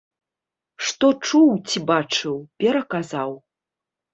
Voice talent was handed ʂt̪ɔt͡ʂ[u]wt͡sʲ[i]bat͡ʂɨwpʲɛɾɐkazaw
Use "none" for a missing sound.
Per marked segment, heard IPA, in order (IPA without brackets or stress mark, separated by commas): u, i